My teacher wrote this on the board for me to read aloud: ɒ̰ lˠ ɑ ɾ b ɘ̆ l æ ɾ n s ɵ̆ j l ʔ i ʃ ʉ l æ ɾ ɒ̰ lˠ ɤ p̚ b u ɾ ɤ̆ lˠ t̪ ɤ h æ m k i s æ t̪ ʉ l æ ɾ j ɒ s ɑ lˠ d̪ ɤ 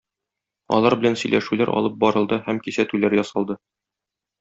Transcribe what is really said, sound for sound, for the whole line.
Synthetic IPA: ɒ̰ lˠ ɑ ɾ b ɘ̆ l æ n s ɵ̆ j l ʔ æ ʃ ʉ l æ ɾ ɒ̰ lˠ ɤ p̚ b ɒ ɾ ɤ̆ lˠ d̪ ɤ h æ m k i s æ t̪ ʉ l æ ɾ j ɒ s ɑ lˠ d̪ ɤ